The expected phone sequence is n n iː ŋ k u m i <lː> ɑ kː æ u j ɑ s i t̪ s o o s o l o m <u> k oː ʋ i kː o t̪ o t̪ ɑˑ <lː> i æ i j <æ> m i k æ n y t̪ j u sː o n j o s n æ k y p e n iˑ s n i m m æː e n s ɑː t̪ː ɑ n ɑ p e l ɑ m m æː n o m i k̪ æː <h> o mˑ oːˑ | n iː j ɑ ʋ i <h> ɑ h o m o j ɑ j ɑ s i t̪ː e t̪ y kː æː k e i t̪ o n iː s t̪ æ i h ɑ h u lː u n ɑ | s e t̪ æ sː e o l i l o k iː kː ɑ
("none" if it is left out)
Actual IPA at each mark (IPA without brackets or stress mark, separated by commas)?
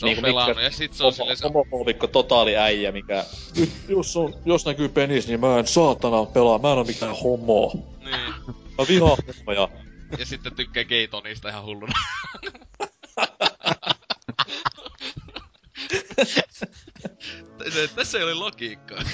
l, o, l, æ, h, h